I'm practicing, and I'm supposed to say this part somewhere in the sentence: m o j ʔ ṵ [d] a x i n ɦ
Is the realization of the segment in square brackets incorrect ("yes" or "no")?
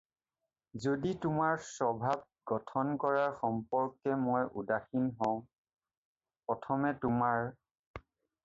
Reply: no